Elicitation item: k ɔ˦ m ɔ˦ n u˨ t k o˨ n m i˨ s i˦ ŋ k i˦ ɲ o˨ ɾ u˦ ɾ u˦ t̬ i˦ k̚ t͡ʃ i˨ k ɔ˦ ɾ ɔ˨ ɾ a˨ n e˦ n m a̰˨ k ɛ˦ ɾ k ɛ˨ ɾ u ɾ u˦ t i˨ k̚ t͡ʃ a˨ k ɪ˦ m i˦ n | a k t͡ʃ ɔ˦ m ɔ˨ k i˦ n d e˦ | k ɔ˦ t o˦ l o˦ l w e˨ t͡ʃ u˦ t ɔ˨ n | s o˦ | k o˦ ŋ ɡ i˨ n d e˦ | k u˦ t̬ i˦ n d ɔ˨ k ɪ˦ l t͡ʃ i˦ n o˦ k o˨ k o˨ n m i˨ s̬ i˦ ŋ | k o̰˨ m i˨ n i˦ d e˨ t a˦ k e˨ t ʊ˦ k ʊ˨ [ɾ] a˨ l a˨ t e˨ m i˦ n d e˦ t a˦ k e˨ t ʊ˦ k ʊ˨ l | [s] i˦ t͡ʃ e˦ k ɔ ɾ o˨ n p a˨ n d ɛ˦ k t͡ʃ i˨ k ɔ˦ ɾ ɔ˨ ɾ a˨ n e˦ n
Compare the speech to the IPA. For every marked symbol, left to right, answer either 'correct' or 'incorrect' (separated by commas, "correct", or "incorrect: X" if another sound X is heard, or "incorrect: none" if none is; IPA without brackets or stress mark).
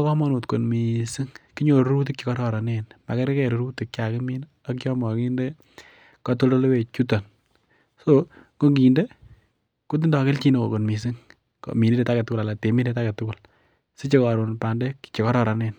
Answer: incorrect: l, correct